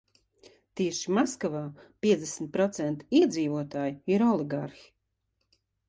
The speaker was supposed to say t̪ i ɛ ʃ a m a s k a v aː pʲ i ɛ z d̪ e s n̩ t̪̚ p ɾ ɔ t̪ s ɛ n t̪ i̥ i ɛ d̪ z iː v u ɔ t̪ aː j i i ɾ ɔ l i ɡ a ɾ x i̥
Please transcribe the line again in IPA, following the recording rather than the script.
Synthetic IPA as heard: t̪ i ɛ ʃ i m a s k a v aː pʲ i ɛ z d̪ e s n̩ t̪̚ p ɾ ɔ t̪ s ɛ n t̪ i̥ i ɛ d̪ z iː v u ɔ t̪ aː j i i ɾ ɔ l i ɡ a ɾ x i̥